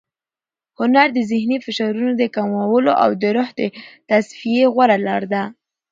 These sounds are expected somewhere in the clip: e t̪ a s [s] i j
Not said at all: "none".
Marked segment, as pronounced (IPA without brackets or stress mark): f